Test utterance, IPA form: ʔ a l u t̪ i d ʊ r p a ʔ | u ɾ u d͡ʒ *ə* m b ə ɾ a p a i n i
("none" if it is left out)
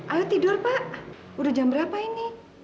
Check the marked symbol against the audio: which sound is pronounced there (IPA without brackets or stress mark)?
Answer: a